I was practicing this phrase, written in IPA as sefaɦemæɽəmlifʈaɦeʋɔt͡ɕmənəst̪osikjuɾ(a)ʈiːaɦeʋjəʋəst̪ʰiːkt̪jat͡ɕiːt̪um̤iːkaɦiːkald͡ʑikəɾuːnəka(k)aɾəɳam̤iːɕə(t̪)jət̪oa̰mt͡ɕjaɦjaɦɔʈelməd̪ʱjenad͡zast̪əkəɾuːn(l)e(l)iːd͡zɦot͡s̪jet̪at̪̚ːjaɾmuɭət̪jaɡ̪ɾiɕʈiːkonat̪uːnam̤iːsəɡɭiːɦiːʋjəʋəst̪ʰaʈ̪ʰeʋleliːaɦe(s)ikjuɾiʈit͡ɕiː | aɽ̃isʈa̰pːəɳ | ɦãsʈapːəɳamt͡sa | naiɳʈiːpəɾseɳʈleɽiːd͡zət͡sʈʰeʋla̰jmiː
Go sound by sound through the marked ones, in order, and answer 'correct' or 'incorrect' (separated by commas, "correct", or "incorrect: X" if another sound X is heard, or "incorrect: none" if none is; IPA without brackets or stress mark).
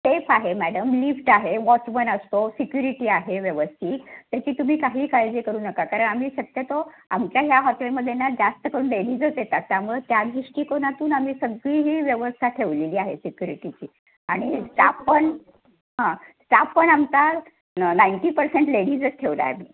incorrect: i, correct, correct, correct, incorrect: ɽ, correct